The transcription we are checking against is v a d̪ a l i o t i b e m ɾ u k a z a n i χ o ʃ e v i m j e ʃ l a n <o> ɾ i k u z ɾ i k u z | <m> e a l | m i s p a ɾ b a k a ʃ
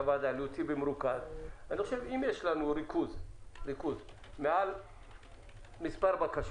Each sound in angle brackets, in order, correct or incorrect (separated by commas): incorrect, correct